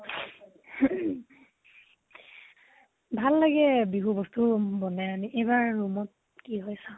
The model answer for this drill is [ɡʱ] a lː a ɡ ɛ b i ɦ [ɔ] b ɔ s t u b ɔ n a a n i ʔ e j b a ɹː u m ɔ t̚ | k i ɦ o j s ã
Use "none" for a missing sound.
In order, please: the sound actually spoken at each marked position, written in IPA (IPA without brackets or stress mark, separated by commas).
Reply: bʱ, u